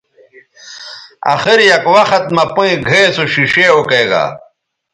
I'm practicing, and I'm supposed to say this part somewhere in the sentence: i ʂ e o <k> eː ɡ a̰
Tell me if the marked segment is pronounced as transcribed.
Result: yes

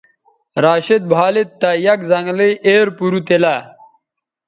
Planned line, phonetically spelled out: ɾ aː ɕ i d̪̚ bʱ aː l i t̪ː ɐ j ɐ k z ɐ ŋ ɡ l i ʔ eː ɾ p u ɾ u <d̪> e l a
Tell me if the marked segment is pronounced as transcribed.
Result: no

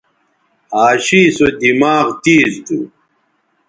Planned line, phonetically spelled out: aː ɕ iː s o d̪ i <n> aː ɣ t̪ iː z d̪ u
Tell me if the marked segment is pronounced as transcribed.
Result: no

